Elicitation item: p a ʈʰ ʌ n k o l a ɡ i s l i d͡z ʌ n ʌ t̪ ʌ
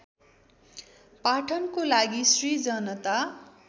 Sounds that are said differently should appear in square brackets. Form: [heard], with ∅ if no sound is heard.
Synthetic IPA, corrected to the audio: p a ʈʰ ʌ n k o l a ɡ i s [r] i d͡z ʌ n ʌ t̪ [a]